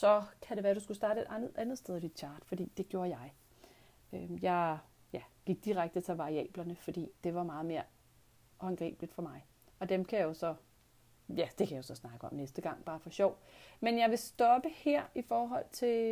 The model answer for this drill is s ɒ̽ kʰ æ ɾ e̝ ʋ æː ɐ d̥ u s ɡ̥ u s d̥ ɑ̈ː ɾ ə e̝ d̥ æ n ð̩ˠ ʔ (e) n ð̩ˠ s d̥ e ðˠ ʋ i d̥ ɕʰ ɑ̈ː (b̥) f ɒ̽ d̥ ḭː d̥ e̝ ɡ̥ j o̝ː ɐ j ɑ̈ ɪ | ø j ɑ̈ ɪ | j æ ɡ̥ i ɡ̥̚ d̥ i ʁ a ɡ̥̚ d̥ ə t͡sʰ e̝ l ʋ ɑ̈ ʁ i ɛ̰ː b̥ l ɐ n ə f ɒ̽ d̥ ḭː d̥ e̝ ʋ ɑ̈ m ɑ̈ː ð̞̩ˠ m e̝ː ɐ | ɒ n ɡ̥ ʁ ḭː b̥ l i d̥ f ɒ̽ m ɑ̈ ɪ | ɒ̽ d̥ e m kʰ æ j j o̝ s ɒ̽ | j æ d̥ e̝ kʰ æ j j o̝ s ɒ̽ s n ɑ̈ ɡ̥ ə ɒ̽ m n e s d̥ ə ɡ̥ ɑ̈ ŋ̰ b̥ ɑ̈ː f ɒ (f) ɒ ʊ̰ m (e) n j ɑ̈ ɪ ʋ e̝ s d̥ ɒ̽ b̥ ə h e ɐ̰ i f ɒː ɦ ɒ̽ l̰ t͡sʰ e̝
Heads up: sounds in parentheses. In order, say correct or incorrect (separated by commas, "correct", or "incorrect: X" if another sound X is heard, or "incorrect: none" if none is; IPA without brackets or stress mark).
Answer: incorrect: æ, incorrect: d̥, incorrect: ɕ, correct